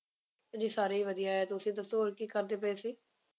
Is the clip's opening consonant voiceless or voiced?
voiced